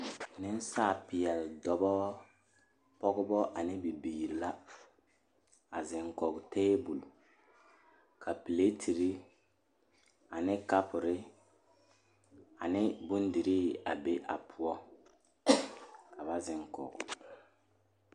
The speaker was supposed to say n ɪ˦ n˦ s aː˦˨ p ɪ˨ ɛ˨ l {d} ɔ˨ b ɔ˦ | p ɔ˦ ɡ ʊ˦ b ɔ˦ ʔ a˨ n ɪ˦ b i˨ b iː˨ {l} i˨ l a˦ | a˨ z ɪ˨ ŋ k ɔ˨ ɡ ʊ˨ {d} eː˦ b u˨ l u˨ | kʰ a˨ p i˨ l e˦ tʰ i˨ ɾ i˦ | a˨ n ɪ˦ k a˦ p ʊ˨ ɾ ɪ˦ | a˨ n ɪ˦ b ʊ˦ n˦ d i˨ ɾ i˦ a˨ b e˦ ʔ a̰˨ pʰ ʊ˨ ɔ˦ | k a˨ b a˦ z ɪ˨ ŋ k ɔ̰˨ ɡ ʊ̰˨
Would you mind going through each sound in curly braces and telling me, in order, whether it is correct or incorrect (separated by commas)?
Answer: correct, incorrect, incorrect